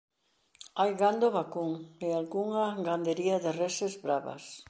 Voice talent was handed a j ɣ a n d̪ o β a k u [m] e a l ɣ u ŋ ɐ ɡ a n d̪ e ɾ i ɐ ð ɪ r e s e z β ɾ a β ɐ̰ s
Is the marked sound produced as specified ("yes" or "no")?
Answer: no